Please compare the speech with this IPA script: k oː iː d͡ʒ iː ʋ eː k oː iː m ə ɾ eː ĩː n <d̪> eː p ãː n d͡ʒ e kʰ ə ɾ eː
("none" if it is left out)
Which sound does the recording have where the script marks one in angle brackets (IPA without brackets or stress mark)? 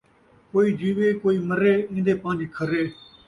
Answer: d̪